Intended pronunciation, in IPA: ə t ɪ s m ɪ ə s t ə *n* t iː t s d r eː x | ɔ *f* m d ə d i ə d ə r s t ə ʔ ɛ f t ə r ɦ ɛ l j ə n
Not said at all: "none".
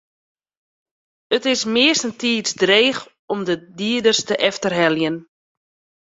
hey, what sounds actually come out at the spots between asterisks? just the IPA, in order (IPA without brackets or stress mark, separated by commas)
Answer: n, none